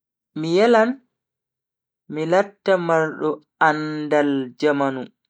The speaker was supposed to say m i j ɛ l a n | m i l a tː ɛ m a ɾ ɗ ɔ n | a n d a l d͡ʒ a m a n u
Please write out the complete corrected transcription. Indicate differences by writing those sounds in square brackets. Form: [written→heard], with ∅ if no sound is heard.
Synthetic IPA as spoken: m i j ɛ l a n | m i l a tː [ɛ→a] m a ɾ ɗ ɔ [n→∅] | a n d a l d͡ʒ a m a n u

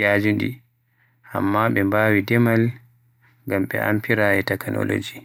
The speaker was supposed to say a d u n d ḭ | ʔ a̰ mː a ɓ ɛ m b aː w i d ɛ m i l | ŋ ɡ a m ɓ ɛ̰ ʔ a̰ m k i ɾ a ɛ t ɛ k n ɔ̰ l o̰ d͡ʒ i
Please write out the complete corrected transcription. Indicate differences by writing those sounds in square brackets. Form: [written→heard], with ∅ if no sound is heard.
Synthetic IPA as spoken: a [d→d͡ʒ] u n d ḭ | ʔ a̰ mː a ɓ ɛ m b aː w i d ɛ m [i→a] l | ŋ ɡ a m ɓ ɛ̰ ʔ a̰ m [k→p] i ɾ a ɛ t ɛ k n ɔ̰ l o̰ d͡ʒ i

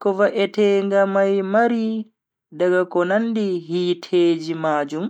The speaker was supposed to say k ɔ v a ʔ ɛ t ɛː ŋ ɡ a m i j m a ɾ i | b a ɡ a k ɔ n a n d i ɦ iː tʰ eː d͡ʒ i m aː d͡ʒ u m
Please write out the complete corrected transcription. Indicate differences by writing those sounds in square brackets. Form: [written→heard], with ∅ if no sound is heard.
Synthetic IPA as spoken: k ɔ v a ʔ ɛ t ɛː ŋ ɡ a m [i→a] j m a ɾ i | [b→d] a ɡ a k ɔ n a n d i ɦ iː tʰ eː d͡ʒ i m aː d͡ʒ u m

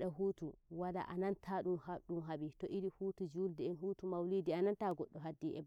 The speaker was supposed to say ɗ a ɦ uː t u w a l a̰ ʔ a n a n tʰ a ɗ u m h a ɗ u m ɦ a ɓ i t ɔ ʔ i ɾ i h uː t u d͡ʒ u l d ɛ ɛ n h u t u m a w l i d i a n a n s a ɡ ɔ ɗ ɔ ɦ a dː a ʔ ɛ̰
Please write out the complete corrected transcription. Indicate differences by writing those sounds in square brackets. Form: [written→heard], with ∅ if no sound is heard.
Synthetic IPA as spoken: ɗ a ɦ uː t u w a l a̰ ʔ a n a n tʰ a ɗ u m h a ɗ u m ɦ a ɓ i t ɔ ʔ i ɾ i h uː t u d͡ʒ u l d ɛ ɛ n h u t u m a w l i d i a n a n [s→t] a ɡ ɔ [ɗ→ɗː] ɔ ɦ a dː [a→i] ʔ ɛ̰

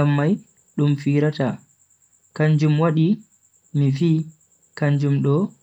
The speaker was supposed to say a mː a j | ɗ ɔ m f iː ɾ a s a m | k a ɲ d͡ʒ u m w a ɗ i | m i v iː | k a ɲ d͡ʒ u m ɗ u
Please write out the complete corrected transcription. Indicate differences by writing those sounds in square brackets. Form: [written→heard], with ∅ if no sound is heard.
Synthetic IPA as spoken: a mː a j | ɗ [ɔ→u] m f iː ɾ a [s→t] a [m→∅] | k a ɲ d͡ʒ u m w a ɗ i | m i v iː | k a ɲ d͡ʒ u m ɗ [u→ɔ]

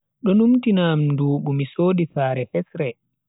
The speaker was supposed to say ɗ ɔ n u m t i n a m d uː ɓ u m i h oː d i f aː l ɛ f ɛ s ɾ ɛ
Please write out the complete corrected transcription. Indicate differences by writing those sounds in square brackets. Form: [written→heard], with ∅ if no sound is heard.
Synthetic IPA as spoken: ɗ ɔ n u m t i n a m d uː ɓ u m i [h→s] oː d i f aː [l→ɾ] ɛ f ɛ s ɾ ɛ

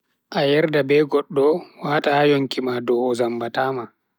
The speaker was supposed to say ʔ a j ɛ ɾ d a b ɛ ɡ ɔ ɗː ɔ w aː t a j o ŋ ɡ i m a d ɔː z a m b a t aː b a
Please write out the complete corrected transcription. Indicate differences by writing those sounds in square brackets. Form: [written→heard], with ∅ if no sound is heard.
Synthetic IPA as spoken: ʔ a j ɛ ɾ d a b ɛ ɡ ɔ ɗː ɔ w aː t a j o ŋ [ɡ→k] i m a d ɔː z a m b a t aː [b→m] a

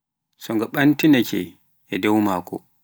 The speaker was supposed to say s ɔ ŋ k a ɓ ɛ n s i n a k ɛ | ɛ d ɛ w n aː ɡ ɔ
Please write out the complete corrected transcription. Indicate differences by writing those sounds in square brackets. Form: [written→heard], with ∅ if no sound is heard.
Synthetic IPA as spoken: s ɔ ŋ [k→ɡ] a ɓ [ɛ→a] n [s→t] i n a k ɛ | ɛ d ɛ w [n→m] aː [ɡ→k] ɔ

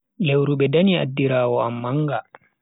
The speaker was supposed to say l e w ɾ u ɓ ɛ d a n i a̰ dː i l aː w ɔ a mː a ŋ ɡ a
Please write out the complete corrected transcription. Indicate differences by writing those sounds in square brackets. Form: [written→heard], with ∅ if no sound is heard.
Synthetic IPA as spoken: l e w ɾ u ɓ ɛ d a n i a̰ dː i [l→ɾ] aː w ɔ a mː a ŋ ɡ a

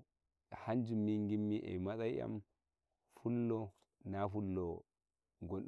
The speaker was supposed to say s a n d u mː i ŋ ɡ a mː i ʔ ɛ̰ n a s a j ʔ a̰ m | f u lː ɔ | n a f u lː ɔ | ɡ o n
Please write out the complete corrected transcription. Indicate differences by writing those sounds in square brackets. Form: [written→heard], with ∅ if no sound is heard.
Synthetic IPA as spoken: [s→h] a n [d→d͡ʒ] u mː i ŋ ɡ [a→i] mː i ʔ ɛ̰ [n→m] a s a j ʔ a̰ m | f u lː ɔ | n a f u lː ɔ | ɡ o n

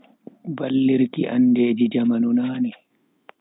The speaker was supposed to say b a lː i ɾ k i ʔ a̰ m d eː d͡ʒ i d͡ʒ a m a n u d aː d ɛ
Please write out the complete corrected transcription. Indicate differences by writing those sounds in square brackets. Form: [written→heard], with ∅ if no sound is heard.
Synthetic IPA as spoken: b a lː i ɾ k i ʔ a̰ [m→n] d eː d͡ʒ i d͡ʒ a m a n u [d→n] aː [d→n] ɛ

